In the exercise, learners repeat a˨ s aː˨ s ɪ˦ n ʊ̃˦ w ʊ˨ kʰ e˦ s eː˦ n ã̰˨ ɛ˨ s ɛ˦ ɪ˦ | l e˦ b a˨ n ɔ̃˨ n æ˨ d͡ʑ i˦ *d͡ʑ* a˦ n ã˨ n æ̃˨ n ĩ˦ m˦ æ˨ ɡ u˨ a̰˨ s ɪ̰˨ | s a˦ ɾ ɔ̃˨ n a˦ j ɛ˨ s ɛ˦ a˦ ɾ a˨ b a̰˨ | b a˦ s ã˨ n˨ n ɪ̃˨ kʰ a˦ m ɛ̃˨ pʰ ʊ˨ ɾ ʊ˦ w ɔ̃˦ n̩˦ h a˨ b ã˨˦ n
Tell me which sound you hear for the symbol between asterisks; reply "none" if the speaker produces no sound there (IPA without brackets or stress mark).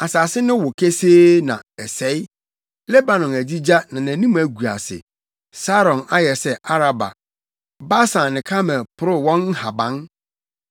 d͡ʑ